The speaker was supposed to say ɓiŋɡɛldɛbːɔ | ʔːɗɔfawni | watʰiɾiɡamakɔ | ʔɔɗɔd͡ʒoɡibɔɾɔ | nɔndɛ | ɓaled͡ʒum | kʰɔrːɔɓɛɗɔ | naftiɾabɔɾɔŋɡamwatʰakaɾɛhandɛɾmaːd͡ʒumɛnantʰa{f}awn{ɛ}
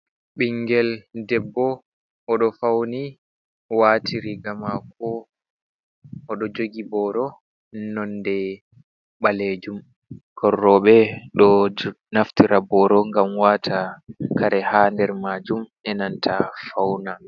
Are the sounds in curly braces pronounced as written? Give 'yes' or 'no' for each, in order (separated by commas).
yes, no